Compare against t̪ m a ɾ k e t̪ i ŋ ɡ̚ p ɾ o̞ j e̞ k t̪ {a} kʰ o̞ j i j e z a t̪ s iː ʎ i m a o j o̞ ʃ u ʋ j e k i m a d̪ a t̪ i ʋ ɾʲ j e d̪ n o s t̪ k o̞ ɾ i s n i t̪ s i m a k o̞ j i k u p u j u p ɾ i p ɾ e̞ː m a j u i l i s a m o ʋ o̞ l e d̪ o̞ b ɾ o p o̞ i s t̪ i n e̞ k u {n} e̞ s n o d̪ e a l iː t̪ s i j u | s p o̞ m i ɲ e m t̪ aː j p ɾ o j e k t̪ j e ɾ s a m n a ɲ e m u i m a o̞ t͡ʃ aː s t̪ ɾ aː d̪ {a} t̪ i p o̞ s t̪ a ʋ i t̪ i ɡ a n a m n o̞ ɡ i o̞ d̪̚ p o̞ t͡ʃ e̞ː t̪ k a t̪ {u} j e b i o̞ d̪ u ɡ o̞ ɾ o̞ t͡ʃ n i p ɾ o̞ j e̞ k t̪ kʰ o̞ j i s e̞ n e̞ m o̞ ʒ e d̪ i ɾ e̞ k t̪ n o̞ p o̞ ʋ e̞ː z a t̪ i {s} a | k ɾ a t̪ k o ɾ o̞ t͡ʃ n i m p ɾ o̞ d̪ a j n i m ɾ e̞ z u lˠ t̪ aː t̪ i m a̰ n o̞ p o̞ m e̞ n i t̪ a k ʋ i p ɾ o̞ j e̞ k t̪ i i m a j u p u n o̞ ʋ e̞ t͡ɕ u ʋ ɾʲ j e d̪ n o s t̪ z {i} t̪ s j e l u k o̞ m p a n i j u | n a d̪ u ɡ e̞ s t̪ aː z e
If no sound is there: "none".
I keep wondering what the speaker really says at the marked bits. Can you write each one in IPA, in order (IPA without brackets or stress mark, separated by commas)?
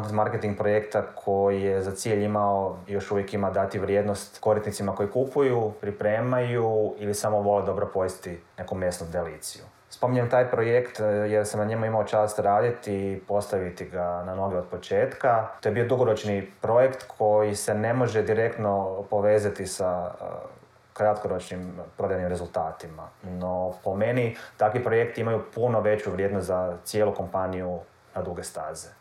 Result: a, m, i, o, s, a